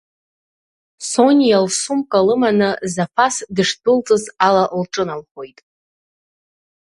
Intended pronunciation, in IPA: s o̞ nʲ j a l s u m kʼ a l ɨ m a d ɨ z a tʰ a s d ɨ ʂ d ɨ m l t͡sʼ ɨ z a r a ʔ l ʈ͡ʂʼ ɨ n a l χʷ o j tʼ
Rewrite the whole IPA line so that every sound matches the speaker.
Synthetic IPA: s o̞ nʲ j a l s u m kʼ a l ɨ m a n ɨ z a pʰ a s d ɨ ʂ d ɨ l t͡sʼ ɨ z a l a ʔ l ʈ͡ʂʼ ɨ n a l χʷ o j tʼ